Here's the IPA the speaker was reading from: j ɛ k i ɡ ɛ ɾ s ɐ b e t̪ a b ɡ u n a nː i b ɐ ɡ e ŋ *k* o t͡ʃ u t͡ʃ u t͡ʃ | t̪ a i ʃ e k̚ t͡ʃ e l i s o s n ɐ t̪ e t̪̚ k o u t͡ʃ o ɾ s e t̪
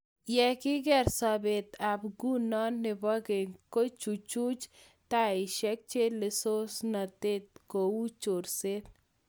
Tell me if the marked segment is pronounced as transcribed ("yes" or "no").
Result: yes